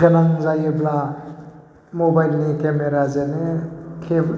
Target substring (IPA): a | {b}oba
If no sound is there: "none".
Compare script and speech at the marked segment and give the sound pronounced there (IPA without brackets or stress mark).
m